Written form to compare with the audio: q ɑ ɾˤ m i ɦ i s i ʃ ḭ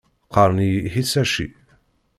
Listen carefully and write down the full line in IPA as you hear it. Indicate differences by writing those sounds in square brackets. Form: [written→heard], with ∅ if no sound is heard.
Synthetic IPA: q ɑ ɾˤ [m→n] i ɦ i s [i→æ] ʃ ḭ